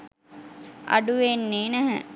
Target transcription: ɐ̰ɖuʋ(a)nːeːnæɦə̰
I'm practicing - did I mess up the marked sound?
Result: yes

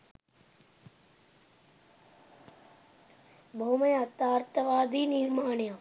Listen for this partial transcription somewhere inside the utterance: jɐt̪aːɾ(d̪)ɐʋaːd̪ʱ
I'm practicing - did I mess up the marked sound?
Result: yes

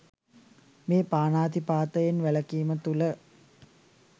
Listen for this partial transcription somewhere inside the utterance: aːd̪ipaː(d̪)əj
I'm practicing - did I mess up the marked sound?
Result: yes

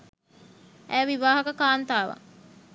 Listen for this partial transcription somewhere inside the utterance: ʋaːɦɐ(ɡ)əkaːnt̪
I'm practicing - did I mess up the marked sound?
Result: yes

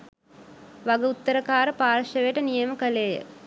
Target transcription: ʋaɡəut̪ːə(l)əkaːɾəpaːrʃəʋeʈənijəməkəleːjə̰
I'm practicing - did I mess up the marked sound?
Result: yes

